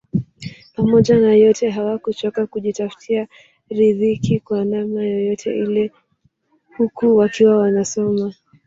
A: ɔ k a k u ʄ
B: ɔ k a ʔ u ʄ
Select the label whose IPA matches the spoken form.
A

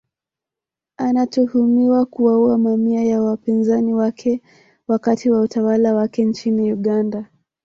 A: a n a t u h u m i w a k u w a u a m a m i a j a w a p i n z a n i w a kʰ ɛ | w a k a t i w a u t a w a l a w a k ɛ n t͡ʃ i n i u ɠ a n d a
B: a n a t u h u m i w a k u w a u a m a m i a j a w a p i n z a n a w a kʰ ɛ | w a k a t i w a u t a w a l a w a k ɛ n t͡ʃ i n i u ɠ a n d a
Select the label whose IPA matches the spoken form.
A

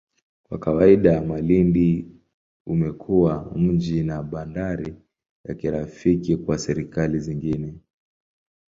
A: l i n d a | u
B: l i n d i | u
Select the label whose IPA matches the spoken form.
B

